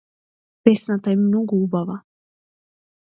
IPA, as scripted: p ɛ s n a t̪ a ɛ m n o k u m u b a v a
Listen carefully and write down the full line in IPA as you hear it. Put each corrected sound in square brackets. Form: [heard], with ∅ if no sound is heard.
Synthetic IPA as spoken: p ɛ s n a t̪ a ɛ m n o [ɡ] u [∅] u b a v a